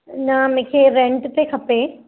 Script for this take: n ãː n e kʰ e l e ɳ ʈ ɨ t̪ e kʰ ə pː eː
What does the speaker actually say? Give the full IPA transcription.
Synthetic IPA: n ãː m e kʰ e ɾ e ɳ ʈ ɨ t̪ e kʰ ɐ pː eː